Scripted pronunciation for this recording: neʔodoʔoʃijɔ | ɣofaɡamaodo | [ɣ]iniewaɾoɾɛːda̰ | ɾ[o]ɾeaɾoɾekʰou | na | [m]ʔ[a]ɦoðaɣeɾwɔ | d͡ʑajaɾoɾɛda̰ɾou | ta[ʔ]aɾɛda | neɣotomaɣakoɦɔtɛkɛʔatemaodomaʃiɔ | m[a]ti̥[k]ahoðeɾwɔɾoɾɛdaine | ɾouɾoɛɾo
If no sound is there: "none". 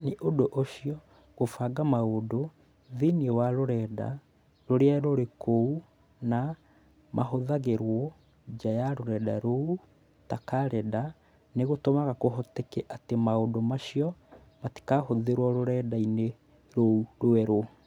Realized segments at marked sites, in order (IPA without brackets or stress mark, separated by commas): ð, o, m, a, k, a, k